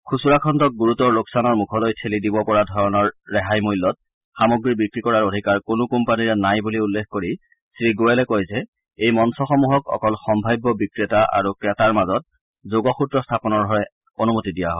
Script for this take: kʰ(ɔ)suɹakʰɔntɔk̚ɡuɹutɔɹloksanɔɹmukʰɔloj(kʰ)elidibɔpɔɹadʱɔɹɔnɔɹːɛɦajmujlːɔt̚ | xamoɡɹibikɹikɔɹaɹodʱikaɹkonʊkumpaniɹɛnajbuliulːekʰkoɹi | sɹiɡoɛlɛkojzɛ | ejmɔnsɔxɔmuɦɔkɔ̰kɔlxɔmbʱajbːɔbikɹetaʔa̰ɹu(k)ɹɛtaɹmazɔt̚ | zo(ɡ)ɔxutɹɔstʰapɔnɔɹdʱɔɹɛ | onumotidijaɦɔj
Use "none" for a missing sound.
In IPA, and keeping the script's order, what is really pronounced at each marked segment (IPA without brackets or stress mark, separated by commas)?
u, tʰ, k, ɡ